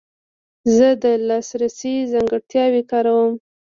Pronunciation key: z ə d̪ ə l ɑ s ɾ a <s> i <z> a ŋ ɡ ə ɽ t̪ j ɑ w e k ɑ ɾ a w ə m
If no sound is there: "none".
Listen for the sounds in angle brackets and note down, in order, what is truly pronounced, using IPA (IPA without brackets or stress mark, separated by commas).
s, z